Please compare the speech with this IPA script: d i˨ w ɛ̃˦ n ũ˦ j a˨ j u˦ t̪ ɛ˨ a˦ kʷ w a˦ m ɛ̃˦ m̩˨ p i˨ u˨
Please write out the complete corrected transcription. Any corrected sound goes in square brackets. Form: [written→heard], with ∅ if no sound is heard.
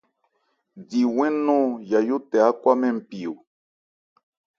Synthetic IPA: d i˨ w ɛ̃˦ n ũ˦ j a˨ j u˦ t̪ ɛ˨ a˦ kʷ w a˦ m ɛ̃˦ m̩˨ p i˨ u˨